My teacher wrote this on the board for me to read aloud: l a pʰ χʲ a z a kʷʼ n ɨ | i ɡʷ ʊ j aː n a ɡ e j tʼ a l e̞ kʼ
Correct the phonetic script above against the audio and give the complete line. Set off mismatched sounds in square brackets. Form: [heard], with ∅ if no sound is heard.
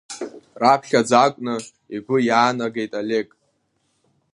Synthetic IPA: [r] a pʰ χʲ a [d͡z] a kʷʼ n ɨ | i ɡʷ ʊ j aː n a ɡ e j tʼ a l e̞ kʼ